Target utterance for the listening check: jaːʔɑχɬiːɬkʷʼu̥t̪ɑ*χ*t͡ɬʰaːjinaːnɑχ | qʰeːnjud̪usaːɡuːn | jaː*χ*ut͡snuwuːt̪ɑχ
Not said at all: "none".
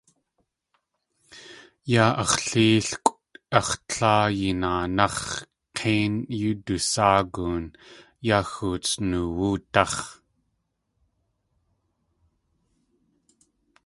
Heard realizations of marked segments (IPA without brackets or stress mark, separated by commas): χ, x